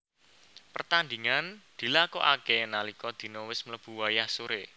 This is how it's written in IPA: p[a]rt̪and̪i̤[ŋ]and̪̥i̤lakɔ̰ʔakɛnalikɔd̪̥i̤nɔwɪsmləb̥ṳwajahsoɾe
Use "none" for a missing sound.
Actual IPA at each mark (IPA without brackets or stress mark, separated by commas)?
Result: ə, ŋ